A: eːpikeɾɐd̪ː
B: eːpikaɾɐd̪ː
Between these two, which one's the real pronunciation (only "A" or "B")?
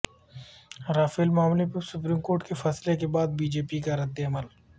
B